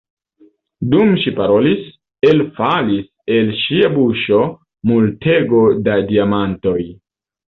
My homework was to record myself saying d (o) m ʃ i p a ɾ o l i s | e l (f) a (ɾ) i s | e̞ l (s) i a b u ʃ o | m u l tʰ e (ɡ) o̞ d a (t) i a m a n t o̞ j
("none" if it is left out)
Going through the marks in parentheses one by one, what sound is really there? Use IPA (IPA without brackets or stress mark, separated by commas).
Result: u, f, l, ʃ, ɡ, d